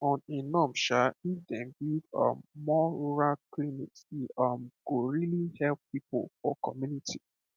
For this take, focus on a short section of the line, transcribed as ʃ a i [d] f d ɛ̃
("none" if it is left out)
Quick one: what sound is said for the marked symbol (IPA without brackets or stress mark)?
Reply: none